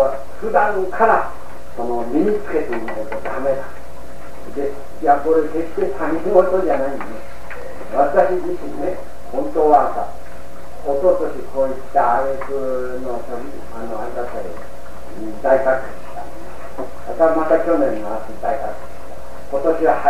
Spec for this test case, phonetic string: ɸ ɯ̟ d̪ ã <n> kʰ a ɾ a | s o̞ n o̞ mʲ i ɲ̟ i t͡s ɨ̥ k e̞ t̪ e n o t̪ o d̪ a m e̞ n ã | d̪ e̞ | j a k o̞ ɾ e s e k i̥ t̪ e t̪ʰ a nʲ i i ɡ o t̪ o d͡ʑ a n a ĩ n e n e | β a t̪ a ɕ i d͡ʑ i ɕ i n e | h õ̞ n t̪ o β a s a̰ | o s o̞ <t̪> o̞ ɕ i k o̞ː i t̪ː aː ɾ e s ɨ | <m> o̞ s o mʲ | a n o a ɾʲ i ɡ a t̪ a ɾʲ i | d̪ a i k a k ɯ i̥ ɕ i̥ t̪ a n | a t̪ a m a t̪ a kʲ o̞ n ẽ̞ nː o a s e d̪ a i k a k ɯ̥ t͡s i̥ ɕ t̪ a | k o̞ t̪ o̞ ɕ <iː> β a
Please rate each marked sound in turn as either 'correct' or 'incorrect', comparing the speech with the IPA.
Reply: incorrect: ŋ, correct, incorrect: n, incorrect: i

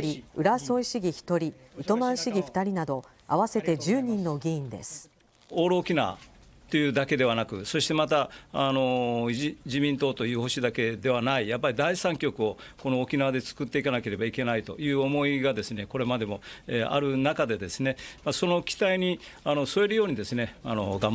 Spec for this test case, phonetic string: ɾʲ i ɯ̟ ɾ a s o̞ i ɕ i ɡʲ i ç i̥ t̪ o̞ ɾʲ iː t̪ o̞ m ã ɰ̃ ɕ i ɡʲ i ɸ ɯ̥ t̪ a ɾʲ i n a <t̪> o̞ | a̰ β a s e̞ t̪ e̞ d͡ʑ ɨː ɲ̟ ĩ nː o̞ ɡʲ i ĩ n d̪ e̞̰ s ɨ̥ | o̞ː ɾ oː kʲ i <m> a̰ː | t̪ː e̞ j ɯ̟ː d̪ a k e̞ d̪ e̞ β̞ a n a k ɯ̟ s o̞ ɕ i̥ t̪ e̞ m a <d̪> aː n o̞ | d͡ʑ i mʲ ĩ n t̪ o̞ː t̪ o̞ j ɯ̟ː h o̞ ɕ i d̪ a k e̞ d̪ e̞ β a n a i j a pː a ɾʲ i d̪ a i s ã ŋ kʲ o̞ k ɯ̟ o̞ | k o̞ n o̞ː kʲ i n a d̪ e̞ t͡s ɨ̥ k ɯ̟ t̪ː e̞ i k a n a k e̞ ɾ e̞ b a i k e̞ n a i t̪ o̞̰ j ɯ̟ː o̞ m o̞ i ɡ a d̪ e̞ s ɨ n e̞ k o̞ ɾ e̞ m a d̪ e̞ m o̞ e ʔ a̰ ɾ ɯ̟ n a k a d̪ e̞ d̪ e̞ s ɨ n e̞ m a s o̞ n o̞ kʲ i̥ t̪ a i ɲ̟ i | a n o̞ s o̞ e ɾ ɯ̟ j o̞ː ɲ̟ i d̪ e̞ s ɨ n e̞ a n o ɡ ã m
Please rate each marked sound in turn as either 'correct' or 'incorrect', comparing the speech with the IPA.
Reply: incorrect: d̪, incorrect: n, incorrect: t̪

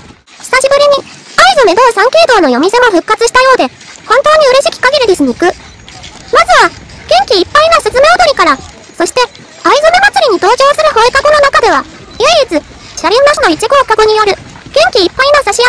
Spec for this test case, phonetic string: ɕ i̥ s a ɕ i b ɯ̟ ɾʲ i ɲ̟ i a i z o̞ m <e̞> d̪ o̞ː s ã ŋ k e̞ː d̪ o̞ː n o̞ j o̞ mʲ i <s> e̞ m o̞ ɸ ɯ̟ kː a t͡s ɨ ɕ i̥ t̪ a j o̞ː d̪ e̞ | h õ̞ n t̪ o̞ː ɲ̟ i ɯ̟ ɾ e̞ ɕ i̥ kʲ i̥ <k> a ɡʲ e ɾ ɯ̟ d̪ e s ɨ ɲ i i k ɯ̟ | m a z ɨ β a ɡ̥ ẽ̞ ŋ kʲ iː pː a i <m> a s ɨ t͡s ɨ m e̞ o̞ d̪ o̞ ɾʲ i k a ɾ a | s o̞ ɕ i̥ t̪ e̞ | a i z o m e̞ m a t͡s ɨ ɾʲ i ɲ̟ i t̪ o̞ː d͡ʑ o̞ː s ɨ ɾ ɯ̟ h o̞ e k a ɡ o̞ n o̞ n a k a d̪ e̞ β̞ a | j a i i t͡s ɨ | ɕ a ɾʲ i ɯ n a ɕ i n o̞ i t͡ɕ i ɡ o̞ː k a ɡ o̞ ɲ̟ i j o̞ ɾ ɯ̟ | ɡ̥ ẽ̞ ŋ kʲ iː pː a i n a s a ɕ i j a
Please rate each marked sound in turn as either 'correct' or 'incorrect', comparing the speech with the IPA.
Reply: correct, correct, correct, incorrect: n

